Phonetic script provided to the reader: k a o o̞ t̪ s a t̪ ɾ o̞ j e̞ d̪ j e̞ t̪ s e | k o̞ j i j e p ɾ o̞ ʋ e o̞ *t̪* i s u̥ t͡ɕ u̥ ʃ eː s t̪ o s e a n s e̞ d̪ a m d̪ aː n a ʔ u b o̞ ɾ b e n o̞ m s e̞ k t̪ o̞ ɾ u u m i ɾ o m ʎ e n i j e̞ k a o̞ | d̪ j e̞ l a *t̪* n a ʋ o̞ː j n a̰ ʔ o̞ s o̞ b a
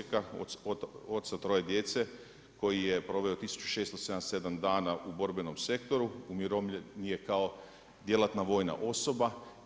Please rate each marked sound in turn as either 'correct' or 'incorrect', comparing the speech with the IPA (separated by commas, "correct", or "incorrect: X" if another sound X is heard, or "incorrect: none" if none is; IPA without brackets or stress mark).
correct, correct